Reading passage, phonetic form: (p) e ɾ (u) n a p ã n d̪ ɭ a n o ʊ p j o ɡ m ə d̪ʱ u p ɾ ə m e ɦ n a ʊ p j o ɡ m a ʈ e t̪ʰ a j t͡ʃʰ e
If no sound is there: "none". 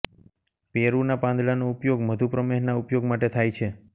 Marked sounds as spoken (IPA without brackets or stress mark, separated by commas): p, u